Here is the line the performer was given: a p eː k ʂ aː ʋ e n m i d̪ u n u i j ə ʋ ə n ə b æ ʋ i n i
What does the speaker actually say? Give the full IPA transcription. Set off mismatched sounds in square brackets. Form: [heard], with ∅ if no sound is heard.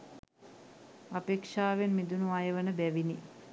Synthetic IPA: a p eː k ʂ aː ʋ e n m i d̪ u n u [a] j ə ʋ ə n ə b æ ʋ i n i